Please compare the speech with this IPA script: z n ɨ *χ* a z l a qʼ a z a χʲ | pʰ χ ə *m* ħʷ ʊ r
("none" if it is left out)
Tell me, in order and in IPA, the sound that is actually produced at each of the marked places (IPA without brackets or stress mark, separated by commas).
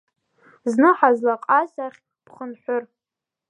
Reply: ħ, n